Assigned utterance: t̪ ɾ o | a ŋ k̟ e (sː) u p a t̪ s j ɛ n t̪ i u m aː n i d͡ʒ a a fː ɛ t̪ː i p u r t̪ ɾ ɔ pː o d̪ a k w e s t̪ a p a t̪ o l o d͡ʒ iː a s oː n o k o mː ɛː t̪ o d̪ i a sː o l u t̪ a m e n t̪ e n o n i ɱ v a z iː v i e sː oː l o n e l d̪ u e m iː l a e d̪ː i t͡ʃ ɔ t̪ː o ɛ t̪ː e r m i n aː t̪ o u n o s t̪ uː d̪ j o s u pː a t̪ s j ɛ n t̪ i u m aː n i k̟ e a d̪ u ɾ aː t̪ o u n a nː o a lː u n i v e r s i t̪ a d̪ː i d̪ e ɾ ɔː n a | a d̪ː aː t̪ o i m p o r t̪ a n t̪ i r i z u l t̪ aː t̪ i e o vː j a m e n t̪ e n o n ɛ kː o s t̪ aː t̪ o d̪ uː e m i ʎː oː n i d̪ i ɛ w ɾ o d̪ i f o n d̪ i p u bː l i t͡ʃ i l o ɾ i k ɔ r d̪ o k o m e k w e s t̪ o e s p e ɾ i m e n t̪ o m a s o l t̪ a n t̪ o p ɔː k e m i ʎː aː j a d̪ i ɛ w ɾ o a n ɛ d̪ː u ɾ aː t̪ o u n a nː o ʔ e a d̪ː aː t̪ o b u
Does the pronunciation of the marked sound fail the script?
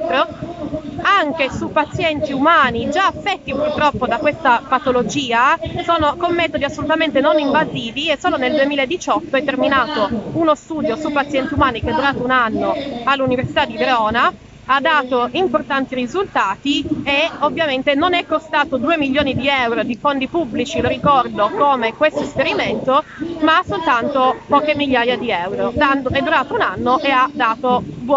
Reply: yes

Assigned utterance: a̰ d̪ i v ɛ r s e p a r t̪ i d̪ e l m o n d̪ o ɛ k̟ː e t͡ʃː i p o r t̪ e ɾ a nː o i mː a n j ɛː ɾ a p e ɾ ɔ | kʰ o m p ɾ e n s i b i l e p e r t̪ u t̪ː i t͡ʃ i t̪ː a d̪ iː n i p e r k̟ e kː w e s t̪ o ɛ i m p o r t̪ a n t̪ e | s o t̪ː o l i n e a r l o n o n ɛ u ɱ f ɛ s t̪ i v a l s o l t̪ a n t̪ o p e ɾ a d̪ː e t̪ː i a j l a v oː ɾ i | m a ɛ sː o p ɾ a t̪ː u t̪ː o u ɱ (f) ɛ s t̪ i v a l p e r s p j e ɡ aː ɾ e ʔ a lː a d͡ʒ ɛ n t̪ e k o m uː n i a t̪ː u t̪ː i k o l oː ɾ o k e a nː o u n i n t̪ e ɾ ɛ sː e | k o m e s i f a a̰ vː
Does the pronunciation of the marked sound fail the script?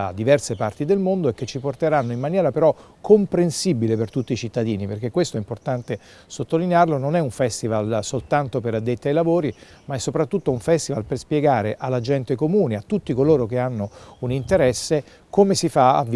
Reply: no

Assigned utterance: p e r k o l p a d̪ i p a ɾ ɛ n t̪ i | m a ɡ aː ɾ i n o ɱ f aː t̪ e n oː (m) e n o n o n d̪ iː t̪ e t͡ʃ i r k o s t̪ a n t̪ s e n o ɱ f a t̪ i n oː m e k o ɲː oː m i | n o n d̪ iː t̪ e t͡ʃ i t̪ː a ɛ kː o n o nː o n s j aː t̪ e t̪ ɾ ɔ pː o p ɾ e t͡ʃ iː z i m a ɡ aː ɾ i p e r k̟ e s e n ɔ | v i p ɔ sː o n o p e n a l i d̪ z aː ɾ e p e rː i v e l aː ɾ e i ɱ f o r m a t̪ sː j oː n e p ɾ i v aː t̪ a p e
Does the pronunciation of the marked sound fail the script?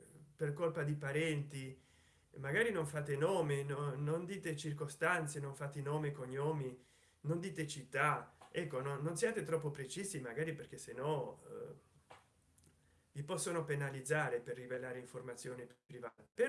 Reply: no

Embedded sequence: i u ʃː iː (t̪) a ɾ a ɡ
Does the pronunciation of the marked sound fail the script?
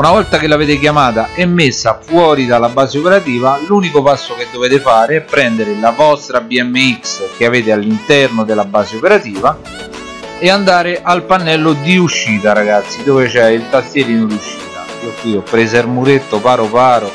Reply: no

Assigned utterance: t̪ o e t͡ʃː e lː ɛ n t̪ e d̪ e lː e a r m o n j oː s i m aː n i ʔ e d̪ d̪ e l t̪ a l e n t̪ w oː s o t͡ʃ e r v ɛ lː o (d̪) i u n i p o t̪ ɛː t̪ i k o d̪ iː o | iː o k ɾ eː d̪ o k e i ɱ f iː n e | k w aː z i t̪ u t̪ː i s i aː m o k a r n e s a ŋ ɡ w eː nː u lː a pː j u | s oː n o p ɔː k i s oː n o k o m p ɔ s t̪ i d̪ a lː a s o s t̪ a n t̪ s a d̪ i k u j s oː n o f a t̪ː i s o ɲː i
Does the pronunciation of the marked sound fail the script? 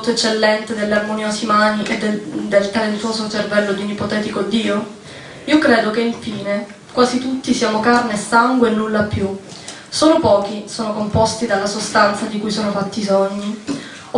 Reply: no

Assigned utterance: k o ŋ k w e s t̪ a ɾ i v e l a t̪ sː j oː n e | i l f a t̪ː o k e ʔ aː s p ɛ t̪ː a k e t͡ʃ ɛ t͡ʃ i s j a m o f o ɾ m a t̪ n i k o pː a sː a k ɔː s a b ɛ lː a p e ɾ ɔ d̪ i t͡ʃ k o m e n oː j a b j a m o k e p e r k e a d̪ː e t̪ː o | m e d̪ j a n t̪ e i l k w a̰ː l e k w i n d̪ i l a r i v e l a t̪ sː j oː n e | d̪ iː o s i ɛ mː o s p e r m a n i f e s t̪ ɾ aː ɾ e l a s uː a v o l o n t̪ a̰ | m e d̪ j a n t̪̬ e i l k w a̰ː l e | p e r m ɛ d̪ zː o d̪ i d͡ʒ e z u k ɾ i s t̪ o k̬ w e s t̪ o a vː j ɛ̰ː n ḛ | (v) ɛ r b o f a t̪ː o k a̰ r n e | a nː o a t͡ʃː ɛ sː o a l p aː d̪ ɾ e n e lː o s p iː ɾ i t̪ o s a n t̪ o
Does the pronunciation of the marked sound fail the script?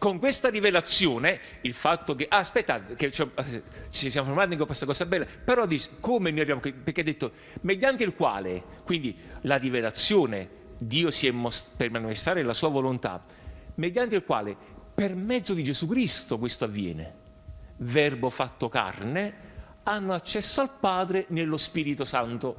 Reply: no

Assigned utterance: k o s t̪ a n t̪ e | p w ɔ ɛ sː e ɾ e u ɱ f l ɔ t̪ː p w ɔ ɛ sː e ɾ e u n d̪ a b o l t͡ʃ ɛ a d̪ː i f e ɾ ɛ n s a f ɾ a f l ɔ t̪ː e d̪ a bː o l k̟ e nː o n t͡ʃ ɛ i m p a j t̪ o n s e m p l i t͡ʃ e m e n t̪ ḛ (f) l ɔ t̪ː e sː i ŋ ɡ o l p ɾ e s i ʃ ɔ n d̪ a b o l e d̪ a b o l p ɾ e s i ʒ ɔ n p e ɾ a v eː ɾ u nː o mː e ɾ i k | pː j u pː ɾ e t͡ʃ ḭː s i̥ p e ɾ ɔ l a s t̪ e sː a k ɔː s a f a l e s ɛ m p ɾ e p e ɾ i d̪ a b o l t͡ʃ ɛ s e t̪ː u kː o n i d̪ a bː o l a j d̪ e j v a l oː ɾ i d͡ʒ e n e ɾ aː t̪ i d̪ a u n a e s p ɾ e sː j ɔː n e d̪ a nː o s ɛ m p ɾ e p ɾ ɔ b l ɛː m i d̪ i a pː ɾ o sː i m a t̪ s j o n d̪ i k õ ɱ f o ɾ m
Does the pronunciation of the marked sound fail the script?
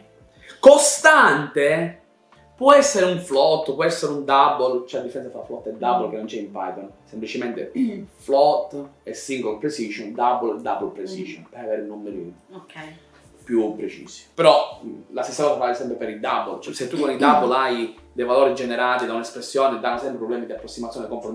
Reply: no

